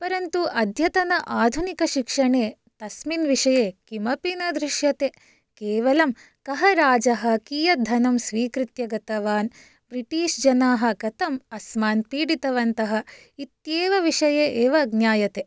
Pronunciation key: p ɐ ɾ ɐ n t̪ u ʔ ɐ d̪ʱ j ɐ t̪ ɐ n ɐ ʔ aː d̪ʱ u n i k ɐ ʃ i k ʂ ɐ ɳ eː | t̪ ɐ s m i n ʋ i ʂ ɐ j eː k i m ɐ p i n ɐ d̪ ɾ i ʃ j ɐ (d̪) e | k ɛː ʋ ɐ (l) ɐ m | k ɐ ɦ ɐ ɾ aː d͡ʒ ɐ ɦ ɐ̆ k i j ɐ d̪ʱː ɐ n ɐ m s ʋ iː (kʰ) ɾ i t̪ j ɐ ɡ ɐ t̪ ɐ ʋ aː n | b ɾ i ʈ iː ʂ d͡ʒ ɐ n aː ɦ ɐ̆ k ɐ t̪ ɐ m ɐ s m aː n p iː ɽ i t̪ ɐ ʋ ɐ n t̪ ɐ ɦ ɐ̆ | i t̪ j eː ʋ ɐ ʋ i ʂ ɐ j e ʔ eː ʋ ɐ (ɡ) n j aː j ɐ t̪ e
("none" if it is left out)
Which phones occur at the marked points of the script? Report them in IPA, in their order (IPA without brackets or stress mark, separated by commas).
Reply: t̪, l, k, ɡ